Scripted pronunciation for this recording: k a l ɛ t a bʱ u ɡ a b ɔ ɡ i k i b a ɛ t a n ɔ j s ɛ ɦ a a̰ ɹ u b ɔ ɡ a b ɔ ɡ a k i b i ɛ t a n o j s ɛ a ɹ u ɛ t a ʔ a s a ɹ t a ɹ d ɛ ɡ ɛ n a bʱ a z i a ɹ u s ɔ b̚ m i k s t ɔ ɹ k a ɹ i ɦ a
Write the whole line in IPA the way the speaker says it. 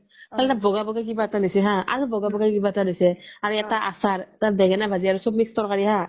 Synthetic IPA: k a l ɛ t a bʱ ɔ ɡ a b ɔ ɡ a k i b a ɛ t a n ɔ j s ɛ ɦ a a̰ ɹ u b ɔ ɡ a b ɔ ɡ a k i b a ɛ t a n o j s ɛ a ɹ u ɛ t a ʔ a s a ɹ t a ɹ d ɛ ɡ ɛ n a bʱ a z i a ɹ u s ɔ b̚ m i k s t ɔ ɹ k a ɹ i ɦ a